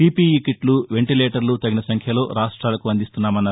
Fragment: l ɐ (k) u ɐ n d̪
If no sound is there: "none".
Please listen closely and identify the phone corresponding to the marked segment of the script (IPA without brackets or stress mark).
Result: k